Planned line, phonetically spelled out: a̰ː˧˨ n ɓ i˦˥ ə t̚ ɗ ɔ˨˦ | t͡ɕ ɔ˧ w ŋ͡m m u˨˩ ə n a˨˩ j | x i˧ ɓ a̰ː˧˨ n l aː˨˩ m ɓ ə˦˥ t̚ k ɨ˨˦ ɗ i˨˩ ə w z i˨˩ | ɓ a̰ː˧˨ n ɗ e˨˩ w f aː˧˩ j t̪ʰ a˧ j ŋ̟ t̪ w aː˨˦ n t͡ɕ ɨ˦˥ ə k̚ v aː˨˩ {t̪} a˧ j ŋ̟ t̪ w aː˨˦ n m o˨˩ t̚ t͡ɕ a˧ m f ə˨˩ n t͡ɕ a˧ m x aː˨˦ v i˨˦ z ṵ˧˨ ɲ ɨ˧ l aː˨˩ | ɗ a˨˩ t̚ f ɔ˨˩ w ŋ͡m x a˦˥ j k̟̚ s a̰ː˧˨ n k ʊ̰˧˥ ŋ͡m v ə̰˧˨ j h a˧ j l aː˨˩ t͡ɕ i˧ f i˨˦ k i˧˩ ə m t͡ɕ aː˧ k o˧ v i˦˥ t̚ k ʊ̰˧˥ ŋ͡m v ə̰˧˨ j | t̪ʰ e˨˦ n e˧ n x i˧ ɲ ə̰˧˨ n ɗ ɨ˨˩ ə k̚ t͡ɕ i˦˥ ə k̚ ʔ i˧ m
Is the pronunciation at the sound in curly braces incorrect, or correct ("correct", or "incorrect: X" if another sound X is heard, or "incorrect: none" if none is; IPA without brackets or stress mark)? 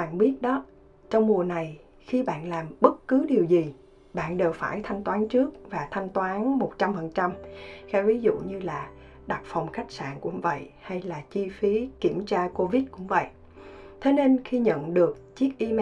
incorrect: t̪ʰ